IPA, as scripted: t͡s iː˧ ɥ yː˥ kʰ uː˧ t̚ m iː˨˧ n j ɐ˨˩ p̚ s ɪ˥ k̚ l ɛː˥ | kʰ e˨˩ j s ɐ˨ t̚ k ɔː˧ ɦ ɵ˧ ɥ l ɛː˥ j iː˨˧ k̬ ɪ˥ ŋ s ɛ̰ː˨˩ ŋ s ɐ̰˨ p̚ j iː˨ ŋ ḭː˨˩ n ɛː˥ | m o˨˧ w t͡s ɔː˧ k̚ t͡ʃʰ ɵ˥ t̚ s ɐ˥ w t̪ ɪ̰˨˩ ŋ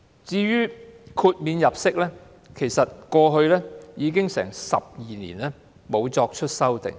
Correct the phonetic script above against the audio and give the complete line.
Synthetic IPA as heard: t͡s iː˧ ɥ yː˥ kʰ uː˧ t̚ m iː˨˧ n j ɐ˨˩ p̚ s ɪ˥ k̚ l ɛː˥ | kʰ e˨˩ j s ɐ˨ t̚ k ɔː˧ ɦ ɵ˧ ɥ l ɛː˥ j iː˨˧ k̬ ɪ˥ ŋ s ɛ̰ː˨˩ ŋ s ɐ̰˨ p̚ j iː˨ n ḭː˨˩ n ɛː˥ | m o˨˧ w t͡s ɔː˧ k̚ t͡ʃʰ ɵ˥ t̚ s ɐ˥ w t̪ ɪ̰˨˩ ŋ